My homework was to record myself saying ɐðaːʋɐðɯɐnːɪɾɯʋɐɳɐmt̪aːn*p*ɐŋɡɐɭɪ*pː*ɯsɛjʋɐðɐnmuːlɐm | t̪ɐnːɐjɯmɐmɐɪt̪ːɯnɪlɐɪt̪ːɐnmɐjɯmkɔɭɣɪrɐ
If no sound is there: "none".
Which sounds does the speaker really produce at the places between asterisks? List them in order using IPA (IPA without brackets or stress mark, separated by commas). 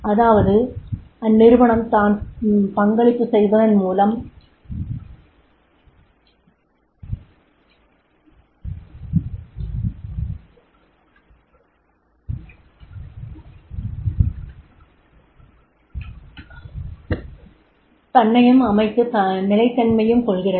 p, pː